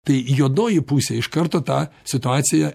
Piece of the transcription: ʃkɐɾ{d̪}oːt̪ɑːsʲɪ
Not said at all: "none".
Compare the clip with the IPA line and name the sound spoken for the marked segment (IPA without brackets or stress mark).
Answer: t̪